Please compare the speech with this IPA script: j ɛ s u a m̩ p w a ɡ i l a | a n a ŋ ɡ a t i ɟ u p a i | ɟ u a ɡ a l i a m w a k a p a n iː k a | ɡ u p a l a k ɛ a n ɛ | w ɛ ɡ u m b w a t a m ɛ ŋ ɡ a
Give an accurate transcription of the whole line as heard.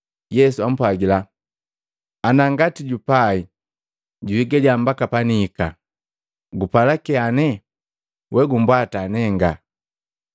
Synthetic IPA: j ɛ s u a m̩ p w a ɡ i l a | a n a ŋ ɡ a t i ɟ u p a i | ɟ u i ɡ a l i a m b a k a p a n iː k a | ɡ u p a l a k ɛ a n ɛ | w ɛ ɡ u m b w a t a n ɛ ŋ ɡ a